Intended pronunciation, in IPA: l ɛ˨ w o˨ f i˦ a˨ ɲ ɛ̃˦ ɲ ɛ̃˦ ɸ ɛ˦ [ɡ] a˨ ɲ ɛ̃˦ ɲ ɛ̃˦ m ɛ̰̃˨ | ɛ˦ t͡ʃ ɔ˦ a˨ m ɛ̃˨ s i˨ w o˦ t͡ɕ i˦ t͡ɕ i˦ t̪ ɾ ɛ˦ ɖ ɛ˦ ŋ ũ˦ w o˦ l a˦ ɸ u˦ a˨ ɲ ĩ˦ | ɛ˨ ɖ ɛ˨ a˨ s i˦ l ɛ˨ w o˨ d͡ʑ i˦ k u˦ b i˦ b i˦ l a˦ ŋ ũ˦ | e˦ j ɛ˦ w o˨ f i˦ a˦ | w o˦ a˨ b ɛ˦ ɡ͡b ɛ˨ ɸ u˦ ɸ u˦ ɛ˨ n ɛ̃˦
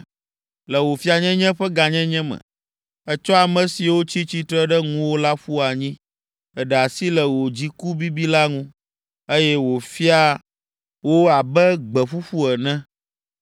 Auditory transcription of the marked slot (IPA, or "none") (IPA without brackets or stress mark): ɡ